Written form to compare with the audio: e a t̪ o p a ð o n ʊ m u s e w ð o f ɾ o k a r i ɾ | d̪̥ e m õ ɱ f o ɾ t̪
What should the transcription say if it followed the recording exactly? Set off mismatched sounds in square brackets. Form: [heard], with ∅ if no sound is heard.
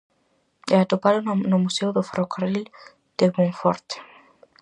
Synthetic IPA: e a t̪ o p a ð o n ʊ m u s e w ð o f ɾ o k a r i [l] | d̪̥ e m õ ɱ f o ɾ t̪